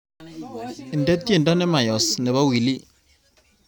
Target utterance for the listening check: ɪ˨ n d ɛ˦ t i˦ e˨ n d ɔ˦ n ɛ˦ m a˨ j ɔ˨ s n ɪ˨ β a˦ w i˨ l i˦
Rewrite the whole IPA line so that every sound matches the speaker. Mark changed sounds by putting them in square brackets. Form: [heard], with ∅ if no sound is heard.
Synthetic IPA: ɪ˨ n d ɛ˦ t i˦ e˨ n d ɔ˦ n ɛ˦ m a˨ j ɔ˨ s n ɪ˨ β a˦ w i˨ l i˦